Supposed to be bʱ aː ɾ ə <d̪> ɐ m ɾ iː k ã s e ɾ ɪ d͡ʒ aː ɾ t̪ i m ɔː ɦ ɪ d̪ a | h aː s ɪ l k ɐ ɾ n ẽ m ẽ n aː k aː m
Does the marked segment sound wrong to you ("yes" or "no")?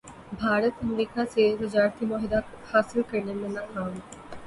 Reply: yes